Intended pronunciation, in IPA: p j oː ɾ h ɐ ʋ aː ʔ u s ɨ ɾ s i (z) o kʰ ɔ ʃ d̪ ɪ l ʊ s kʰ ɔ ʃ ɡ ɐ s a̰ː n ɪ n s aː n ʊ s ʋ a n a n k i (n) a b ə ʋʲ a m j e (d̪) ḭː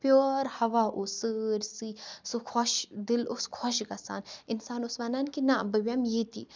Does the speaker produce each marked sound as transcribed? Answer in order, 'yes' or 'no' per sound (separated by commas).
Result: no, yes, no